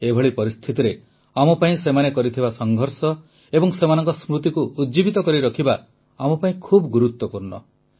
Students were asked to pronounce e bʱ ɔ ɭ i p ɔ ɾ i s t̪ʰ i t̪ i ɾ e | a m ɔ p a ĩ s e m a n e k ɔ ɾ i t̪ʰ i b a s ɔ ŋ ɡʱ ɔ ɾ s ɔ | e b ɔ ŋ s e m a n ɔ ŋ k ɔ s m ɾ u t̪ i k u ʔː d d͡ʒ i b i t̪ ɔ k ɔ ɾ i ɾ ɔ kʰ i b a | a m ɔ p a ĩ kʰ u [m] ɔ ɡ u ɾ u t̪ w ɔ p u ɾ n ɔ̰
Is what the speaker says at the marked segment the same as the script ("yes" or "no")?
no